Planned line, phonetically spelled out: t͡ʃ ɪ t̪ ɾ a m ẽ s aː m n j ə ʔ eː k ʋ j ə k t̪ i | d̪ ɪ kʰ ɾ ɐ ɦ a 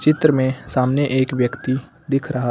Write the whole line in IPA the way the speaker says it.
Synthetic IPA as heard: t͡ʃ ɪ t̪ ɾ ə m ẽ s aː m n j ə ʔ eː k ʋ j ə k t̪ i | d̪ ɪ kʰ ɾ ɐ ɦ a